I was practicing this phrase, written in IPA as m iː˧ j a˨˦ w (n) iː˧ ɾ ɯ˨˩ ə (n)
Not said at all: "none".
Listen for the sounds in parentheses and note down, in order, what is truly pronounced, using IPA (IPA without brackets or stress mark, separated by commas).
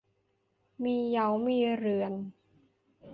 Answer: m, n